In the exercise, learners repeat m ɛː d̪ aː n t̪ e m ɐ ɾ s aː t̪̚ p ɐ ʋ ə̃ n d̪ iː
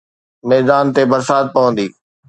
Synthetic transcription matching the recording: m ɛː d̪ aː n t̪ e b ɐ ɾ s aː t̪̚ p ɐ ʋ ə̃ n d̪ iː